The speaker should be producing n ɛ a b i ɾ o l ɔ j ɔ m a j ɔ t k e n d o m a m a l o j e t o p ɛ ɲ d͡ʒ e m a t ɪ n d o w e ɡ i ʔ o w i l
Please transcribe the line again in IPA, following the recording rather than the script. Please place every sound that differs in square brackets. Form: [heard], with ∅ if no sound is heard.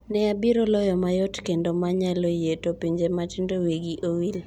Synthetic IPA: n ɛ a b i ɾ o l ɔ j ɔ m a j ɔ t k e n d o m a [ɲ] a l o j e t o p [i] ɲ d͡ʒ e m a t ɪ n d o w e ɡ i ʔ o w i l